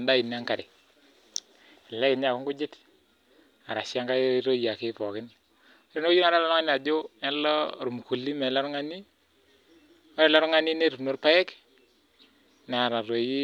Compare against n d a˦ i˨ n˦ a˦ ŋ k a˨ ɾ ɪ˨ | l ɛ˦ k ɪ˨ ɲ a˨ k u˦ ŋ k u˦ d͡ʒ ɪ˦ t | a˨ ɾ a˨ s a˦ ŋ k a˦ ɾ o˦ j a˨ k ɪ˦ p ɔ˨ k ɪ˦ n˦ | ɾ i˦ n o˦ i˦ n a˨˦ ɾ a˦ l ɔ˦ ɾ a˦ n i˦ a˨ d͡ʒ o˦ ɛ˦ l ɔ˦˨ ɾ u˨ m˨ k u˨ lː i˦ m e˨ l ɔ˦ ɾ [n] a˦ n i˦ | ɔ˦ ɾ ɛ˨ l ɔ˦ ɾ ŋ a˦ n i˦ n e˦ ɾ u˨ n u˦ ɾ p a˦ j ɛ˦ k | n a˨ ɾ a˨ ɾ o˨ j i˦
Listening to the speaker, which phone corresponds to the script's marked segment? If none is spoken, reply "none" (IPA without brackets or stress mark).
ŋ